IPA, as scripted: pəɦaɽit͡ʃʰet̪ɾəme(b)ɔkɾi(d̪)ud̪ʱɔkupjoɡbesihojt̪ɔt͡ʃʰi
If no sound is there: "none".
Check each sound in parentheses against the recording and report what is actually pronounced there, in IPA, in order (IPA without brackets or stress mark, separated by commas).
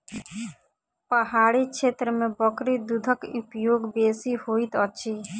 b, d̪